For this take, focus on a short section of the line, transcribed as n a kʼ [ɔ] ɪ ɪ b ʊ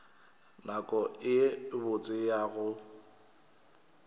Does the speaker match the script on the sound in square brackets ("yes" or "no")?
yes